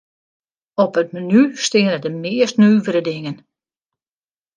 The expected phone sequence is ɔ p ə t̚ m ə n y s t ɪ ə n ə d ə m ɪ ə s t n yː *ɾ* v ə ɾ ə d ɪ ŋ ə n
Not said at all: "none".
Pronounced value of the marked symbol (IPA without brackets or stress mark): none